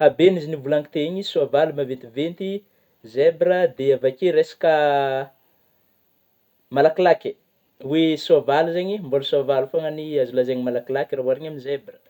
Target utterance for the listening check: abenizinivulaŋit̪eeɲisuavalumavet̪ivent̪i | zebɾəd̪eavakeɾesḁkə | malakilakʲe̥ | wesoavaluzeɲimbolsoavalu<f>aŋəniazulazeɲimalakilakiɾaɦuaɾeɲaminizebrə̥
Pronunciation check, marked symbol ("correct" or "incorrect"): correct